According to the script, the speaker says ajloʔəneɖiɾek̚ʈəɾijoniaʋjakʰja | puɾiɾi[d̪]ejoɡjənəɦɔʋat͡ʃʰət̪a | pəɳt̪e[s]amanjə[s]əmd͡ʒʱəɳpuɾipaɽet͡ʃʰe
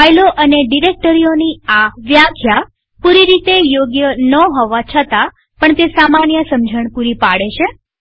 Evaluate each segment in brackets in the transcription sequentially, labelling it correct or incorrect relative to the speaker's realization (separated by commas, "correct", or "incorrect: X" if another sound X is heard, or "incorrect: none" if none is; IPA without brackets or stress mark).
incorrect: t̪, correct, correct